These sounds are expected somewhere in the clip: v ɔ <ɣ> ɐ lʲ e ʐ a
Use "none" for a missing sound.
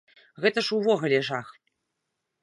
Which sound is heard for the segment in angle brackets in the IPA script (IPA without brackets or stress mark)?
ɣ